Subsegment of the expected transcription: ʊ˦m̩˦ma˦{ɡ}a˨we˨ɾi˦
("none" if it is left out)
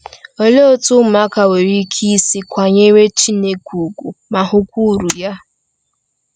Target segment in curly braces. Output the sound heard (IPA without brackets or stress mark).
k